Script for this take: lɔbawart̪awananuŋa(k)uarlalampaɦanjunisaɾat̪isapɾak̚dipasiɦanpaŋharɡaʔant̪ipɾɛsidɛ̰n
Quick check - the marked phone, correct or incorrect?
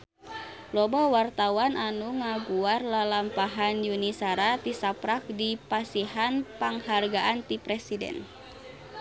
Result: incorrect